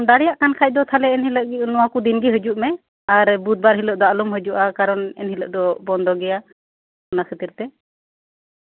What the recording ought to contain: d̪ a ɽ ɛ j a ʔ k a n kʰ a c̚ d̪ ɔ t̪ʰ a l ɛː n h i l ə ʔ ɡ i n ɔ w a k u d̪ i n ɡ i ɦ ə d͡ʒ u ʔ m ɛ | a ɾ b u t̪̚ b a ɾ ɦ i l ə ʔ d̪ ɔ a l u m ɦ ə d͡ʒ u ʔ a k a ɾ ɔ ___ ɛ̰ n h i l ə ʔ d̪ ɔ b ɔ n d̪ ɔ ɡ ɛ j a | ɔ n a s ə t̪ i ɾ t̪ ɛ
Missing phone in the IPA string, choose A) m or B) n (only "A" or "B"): B